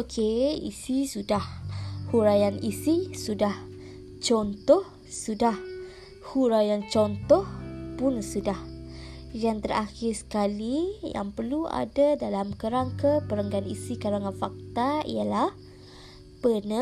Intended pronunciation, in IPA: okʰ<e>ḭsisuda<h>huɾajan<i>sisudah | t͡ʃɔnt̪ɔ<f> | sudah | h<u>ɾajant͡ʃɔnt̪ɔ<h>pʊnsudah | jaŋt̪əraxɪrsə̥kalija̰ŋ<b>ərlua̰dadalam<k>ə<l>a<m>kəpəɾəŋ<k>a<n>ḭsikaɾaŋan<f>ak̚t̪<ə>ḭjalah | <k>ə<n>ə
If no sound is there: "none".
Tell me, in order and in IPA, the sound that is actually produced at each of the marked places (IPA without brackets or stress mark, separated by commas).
e, h, i, h, u, h, p, k, ɾ, ŋ, ɡ, n, f, a, p, n